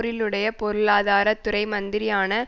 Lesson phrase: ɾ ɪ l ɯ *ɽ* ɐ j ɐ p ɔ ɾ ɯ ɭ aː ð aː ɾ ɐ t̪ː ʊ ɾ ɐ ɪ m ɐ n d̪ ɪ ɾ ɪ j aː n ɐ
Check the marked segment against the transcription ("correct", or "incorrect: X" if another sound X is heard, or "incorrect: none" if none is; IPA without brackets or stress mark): correct